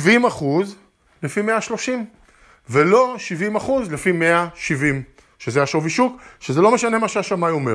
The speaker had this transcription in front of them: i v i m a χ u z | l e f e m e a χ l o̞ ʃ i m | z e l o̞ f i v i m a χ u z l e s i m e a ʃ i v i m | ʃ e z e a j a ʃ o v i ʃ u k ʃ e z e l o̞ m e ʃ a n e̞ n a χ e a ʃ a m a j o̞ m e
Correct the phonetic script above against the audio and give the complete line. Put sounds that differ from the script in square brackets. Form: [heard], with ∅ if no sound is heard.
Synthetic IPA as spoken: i v i m a χ u z | l e f [i] m e a [ʃ] l o̞ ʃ i m | [v] e l o̞ [ʃ] i v i m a χ u z l e [f] i m e a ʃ i v i m | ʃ e z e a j a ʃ o v i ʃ u k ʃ e z e l o̞ m e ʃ a n e̞ [m] a [ʃ] e a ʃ a m a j o̞ m e